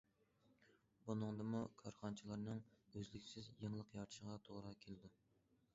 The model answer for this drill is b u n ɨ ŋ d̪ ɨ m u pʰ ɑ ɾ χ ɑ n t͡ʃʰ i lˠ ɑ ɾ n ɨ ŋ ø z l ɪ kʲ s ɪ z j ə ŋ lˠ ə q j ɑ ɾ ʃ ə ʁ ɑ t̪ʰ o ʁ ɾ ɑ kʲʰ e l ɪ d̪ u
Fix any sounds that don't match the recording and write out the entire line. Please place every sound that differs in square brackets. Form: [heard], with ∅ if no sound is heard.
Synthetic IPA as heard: b u n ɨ ŋ d̪ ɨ m u [kʰ] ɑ ɾ χ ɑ n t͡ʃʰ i lˠ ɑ ɾ n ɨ ŋ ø z l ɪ kʲ s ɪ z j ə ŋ lˠ ə q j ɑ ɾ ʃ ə ʁ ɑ t̪ʰ o ʁ ɾ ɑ kʲʰ e l ɪ d̪ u